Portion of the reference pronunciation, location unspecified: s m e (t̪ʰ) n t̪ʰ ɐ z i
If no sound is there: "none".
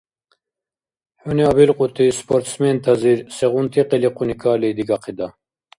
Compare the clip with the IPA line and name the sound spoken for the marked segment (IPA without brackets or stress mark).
none